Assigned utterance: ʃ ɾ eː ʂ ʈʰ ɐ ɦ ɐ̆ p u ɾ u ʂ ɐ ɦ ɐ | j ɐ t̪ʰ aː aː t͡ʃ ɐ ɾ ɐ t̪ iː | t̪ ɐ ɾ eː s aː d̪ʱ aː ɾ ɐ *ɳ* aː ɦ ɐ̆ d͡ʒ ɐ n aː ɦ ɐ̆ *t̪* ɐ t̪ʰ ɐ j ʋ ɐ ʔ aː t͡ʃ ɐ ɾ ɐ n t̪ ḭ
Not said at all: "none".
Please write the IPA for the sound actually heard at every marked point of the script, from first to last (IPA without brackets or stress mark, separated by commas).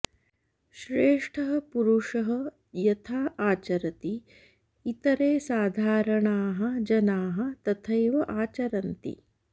ɳ, t̪